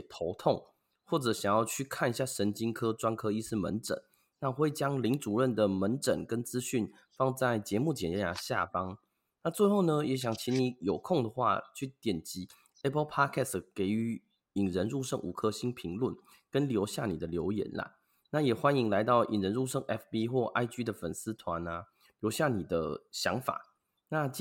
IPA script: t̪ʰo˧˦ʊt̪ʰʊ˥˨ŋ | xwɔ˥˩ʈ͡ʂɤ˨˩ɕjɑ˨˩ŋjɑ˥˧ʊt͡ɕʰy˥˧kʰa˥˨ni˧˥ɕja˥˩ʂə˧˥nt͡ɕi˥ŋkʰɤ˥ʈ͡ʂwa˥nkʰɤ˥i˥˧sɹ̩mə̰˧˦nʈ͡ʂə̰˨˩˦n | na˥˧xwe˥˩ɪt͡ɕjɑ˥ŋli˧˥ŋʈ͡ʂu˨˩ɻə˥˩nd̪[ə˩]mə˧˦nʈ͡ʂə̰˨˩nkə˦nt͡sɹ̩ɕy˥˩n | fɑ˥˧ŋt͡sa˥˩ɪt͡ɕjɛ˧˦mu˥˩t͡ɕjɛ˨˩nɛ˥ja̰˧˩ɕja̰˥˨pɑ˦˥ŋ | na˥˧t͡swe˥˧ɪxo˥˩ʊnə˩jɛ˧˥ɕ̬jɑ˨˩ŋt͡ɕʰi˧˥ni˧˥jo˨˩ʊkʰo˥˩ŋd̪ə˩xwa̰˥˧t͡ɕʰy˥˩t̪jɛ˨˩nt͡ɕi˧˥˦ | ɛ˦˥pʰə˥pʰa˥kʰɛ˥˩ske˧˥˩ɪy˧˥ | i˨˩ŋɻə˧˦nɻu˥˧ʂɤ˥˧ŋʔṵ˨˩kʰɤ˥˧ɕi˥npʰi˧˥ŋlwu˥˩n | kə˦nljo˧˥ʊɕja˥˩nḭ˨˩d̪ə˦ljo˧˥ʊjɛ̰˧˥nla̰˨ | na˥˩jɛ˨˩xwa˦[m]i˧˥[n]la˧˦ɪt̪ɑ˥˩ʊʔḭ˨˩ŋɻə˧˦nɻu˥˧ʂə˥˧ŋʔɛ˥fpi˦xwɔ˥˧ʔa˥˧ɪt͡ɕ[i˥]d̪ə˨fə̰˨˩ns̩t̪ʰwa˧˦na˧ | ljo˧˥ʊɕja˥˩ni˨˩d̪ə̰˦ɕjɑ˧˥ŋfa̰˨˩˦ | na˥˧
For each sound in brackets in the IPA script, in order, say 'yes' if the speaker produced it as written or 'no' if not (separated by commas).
yes, no, no, no